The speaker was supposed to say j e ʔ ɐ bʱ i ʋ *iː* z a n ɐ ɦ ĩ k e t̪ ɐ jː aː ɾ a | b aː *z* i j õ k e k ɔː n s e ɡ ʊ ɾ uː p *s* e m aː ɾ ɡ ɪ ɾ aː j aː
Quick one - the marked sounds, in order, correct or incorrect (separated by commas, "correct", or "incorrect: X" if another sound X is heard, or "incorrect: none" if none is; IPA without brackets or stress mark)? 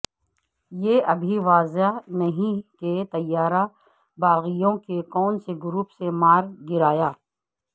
incorrect: aː, incorrect: ɣ, correct